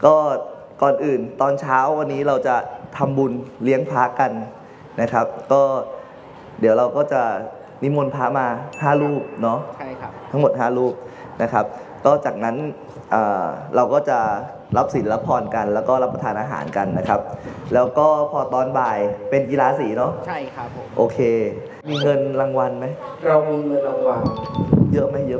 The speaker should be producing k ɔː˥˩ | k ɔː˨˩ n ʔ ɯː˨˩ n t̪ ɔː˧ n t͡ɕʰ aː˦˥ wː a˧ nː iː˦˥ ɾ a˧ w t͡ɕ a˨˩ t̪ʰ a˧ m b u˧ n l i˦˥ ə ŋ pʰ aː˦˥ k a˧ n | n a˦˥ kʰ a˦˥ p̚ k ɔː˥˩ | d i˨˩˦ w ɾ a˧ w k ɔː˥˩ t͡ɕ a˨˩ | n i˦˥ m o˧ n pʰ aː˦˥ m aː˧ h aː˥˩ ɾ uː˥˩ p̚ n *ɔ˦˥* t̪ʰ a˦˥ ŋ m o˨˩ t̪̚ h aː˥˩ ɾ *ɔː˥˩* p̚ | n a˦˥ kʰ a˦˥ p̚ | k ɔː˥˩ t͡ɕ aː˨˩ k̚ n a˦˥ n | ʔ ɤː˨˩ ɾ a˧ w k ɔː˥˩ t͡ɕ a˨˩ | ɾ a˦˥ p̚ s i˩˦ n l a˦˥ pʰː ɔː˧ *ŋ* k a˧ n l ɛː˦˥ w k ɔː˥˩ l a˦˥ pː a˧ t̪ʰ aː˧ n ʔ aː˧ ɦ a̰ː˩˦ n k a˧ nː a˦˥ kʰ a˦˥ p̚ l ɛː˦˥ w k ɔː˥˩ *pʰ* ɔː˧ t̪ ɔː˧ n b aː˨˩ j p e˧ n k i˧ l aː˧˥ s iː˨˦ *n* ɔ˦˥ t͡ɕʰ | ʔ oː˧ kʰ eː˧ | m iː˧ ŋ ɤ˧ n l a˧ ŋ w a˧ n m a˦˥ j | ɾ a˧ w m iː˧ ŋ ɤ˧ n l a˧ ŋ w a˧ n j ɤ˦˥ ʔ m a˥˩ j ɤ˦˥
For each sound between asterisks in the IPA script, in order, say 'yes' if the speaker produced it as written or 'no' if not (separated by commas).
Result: yes, no, no, yes, yes